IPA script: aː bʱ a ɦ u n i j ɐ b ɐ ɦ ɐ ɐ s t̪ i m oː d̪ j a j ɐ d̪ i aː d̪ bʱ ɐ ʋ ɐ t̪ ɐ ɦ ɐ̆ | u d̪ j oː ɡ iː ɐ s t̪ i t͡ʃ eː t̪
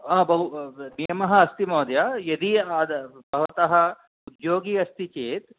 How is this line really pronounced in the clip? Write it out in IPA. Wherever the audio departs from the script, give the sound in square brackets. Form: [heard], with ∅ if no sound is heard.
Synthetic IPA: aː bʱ [ɐ] ɦ u n i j ɐ [m] ɐ ɦ ɐ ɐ s t̪ i m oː d̪ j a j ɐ d̪ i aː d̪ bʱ ɐ ʋ ɐ t̪ ɐ ɦ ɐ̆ | u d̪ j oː ɡ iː ɐ s t̪ i t͡ʃ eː t̪